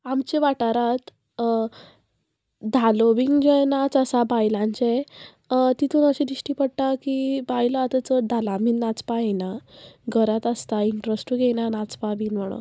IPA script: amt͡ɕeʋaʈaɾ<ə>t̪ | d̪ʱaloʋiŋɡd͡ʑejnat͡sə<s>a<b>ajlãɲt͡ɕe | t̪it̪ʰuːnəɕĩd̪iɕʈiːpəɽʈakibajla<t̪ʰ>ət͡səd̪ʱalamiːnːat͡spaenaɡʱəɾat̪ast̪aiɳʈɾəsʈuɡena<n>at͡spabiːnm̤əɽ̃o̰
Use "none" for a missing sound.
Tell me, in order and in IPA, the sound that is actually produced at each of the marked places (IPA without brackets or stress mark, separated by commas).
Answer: a, s, b, t̪, n